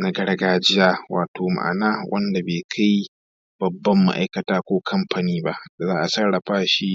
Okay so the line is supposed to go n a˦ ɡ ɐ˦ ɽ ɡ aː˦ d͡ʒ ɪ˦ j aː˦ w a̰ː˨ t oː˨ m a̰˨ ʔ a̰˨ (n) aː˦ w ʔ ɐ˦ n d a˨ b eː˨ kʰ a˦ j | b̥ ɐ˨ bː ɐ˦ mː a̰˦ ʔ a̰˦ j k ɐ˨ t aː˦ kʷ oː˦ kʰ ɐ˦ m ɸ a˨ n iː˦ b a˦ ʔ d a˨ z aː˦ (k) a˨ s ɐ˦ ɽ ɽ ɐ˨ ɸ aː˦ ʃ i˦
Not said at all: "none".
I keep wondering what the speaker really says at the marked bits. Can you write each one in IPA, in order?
n, ʔ

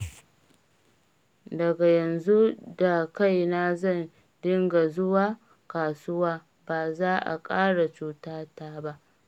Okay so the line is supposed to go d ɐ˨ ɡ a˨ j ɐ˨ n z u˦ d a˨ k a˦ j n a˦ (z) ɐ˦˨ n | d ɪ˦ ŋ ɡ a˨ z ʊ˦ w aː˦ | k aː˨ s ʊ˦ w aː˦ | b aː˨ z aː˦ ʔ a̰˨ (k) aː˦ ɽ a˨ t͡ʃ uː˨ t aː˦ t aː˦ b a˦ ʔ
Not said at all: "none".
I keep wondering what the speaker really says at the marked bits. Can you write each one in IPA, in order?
z, kʼ

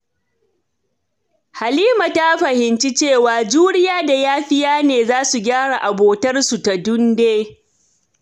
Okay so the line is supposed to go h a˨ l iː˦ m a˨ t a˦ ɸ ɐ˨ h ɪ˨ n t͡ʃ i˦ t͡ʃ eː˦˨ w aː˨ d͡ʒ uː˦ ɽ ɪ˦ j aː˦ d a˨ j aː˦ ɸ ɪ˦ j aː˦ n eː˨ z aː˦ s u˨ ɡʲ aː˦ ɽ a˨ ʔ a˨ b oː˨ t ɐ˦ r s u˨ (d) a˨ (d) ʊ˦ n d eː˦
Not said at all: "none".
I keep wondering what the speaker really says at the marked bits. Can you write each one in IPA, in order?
t, d

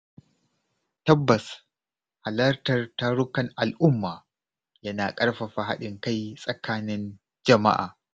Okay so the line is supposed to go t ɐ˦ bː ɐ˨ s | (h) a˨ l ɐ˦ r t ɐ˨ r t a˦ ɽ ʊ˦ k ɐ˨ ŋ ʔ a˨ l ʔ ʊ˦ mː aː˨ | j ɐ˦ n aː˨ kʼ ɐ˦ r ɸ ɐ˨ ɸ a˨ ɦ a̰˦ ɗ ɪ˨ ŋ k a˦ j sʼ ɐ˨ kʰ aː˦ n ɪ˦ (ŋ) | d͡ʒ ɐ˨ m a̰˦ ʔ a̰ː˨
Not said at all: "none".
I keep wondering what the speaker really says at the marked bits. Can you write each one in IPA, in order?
h, n

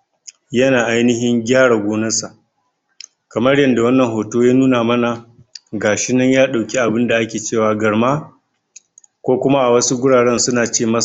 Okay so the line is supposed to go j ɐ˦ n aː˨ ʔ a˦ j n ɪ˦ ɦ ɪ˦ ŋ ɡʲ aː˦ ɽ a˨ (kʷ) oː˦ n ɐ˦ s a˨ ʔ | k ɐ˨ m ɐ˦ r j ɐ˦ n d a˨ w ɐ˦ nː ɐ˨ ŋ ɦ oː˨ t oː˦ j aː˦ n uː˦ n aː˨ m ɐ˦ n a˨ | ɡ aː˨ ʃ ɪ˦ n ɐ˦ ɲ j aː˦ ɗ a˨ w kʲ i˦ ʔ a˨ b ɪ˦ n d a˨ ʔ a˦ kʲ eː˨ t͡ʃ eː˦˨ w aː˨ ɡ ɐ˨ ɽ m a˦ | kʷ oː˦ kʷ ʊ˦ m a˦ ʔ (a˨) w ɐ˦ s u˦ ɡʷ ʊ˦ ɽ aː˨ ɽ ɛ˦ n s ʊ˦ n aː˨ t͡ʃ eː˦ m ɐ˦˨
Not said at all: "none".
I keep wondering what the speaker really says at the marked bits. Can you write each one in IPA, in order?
ɡʷ, a˨

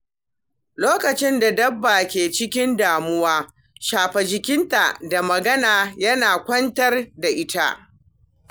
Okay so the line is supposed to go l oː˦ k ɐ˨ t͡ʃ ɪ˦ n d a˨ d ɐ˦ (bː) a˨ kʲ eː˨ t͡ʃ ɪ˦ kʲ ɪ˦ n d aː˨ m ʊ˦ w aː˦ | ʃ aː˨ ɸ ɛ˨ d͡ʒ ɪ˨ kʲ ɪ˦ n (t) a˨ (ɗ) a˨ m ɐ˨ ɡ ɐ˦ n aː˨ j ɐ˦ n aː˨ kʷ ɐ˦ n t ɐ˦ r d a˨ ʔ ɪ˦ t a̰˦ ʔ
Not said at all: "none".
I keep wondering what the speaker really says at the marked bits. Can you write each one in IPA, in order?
bː, t, d

